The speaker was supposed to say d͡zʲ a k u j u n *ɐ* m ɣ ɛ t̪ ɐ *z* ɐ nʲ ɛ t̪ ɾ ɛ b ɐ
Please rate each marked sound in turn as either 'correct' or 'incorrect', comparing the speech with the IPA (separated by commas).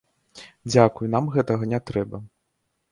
incorrect, incorrect